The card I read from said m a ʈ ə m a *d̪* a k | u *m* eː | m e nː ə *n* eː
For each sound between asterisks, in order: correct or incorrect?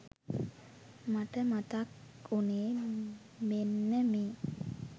incorrect: t̪, incorrect: n, incorrect: m

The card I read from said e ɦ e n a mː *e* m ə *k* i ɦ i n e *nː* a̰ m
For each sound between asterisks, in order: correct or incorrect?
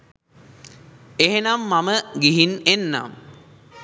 incorrect: a, incorrect: ɡ, correct

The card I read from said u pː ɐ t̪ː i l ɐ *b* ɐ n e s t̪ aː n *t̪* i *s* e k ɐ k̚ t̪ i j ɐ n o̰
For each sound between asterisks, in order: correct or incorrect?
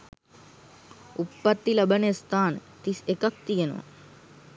correct, correct, correct

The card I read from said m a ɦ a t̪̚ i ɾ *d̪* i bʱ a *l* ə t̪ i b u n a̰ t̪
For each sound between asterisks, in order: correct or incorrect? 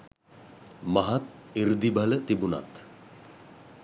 correct, correct

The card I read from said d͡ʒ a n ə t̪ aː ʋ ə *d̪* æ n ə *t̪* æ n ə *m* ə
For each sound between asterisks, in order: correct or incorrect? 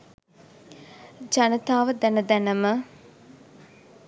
correct, incorrect: d̪, correct

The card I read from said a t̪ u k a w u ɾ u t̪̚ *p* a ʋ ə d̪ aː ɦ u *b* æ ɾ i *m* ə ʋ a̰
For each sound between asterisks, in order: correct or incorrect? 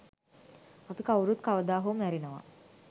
incorrect: k, incorrect: m, incorrect: n

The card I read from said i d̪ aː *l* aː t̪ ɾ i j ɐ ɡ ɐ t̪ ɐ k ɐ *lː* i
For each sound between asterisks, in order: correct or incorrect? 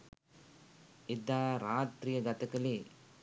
incorrect: ɾ, incorrect: l

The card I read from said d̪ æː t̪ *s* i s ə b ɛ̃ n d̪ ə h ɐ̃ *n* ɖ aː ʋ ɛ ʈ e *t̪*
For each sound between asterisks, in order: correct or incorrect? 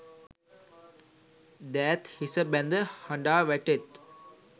incorrect: h, incorrect: ɳ, correct

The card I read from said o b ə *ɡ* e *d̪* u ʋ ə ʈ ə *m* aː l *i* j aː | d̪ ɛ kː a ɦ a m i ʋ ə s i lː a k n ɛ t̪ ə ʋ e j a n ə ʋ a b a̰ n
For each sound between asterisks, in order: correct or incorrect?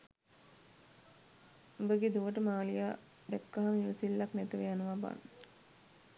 correct, correct, correct, correct

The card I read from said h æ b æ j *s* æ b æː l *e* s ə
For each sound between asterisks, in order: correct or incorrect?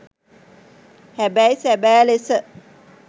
correct, correct

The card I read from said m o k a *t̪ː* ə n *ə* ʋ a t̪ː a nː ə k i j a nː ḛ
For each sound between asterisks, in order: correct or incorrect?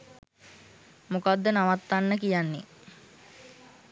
incorrect: d̪ː, incorrect: a

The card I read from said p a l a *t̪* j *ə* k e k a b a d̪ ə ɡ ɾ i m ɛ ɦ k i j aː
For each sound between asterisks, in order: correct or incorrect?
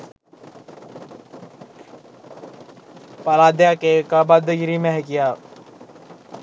incorrect: d̪, incorrect: a

